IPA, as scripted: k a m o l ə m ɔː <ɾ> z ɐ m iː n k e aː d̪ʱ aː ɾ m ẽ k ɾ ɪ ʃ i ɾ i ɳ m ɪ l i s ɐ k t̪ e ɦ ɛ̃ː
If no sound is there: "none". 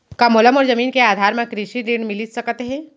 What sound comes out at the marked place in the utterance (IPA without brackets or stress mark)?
ɾ